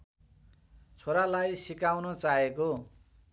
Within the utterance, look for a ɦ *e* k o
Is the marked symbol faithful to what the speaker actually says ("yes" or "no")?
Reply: yes